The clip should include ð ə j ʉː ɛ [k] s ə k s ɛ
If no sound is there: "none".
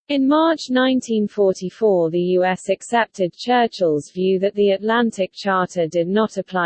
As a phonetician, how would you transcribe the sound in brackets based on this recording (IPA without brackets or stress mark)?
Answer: none